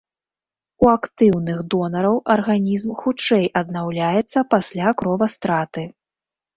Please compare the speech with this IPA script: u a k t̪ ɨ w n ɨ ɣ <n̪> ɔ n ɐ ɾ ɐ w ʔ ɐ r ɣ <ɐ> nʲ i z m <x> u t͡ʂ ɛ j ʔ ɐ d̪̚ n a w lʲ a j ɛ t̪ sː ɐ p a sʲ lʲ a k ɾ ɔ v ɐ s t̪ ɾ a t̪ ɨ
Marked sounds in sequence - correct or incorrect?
incorrect: d̪, incorrect: a, correct

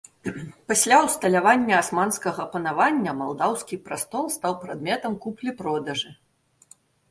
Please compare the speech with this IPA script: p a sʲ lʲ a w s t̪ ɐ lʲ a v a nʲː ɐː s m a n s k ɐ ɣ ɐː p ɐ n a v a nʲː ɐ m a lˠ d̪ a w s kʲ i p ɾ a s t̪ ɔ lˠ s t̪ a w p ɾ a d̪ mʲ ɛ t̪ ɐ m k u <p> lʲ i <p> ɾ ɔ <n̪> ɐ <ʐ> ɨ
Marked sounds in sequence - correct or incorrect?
correct, correct, incorrect: d̪, correct

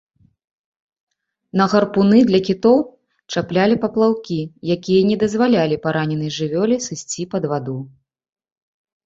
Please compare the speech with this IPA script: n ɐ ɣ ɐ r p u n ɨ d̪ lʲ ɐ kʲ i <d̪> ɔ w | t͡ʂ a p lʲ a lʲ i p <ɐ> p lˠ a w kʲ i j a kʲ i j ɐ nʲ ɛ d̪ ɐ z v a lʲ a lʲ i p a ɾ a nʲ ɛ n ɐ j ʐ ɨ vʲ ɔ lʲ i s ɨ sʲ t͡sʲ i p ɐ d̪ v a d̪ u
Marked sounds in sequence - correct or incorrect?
incorrect: t̪, correct

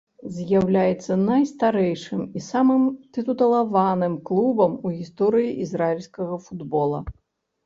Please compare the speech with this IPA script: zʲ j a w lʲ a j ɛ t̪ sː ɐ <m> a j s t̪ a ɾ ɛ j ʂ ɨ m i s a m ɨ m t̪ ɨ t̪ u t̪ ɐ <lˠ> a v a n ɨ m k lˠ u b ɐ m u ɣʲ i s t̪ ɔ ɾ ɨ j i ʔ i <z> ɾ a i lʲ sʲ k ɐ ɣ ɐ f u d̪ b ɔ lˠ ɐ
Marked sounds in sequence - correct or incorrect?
incorrect: n, correct, correct

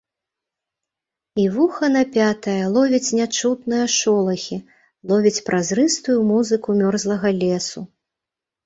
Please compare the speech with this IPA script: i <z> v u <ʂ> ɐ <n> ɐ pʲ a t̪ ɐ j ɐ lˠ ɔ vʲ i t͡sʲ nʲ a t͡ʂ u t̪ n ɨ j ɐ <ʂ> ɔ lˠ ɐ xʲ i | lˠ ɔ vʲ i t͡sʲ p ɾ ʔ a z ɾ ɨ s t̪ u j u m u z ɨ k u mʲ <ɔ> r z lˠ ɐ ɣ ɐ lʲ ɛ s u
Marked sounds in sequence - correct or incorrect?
incorrect: none, incorrect: x, correct, correct, correct

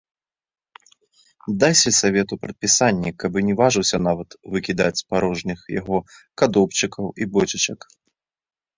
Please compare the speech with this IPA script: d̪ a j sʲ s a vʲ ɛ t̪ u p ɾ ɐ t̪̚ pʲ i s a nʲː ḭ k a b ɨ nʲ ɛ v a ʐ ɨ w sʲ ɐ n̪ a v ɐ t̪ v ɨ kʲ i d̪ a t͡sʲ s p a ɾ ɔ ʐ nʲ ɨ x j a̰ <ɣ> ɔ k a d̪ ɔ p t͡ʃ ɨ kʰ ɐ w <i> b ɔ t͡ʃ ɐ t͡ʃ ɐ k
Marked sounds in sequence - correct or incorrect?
correct, correct

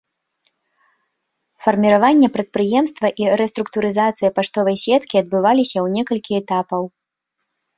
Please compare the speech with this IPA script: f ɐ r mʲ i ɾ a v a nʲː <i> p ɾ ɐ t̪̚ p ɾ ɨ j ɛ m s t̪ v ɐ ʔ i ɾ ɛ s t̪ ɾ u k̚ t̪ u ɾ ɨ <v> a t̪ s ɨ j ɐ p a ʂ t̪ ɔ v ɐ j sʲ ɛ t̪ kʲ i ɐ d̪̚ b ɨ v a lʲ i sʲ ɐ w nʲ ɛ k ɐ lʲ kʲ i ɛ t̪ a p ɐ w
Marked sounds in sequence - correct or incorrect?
incorrect: ɛ, incorrect: z

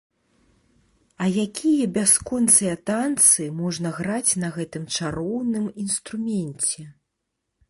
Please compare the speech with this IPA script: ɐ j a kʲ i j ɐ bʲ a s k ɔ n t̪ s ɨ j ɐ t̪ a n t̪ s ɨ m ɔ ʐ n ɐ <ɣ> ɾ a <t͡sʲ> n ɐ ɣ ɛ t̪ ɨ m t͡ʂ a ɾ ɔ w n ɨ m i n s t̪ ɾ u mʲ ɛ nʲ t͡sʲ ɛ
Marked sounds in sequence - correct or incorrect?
correct, correct

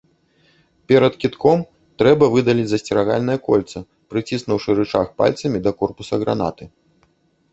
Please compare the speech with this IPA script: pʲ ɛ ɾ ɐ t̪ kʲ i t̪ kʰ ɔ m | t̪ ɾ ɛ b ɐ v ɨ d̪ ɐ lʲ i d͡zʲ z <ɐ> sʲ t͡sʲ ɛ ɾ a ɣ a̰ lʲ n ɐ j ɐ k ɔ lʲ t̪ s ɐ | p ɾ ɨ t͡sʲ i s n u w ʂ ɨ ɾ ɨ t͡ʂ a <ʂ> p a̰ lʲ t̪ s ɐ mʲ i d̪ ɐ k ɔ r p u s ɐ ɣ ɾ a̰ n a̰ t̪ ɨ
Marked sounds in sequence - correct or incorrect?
correct, incorrect: x

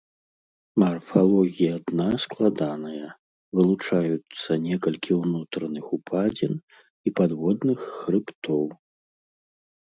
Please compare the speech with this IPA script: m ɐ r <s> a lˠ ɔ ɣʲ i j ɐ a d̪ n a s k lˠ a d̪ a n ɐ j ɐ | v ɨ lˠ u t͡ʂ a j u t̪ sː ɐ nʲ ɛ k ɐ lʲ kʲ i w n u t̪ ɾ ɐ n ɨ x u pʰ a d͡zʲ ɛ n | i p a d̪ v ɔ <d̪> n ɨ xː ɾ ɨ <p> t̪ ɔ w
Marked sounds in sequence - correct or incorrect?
incorrect: f, correct, correct

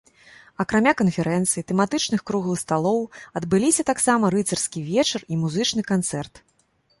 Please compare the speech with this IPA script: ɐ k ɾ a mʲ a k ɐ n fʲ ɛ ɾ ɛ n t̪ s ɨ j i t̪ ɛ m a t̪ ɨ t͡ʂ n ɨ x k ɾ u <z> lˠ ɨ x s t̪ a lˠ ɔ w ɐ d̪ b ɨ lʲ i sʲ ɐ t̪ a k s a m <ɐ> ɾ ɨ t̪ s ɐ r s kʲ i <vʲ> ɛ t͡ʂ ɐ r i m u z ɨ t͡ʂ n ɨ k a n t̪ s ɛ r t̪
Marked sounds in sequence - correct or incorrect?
incorrect: ɣ, correct, correct

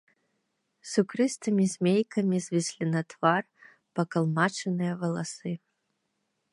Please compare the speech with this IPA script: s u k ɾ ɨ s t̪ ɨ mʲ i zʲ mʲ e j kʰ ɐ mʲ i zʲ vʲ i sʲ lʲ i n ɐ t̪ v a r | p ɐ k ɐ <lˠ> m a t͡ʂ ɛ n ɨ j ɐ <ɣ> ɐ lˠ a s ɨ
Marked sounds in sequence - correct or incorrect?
correct, incorrect: v

